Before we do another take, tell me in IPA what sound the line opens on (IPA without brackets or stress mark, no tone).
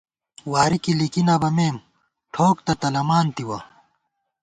w